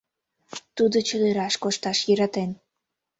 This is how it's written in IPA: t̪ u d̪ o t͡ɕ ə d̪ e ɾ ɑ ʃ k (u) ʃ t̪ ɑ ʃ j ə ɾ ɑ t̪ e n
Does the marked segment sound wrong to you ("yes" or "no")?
yes